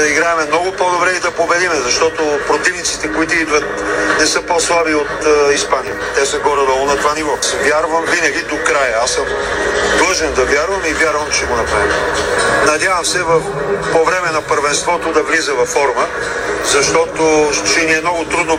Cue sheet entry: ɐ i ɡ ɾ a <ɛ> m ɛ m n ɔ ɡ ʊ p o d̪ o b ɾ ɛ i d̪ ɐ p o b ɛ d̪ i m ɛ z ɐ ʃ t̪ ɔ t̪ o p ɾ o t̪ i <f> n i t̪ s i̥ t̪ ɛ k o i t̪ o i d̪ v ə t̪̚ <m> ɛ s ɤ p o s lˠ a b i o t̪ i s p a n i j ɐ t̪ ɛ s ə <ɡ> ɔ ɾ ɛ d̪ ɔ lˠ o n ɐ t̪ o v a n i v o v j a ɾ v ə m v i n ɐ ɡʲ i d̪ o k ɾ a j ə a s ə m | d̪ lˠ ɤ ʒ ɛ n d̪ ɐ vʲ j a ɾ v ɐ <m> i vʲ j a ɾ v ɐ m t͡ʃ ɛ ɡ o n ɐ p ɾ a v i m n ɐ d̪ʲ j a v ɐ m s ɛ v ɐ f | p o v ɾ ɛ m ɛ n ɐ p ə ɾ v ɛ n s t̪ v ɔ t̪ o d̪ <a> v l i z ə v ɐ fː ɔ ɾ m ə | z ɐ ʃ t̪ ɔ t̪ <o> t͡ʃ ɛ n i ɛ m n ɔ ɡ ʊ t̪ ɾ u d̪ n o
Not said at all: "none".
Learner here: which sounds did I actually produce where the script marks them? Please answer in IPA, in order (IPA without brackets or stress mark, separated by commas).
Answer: ɛ, v, n, ɡ, m, ɐ, o